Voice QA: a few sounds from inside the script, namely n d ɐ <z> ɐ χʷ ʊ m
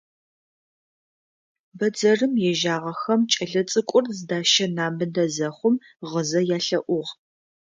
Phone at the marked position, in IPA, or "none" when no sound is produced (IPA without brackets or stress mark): z